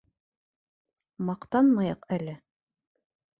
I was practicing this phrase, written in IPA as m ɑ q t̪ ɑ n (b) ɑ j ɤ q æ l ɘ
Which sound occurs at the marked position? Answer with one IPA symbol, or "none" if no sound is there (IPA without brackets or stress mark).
m